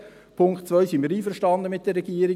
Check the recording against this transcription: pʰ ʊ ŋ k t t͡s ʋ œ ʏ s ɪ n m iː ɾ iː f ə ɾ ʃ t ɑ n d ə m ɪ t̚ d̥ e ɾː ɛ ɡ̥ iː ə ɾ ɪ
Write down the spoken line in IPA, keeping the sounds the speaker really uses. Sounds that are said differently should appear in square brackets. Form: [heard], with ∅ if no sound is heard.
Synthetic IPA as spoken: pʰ ʊ ŋ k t t͡s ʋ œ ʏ s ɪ n m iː ɾ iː f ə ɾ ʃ t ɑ n d ə m ɪ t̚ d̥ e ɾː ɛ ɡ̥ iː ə ɾ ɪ